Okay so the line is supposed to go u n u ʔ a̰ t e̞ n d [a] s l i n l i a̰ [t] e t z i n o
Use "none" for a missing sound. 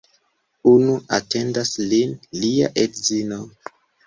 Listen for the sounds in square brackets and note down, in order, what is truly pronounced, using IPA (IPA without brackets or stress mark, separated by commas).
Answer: a, ʔ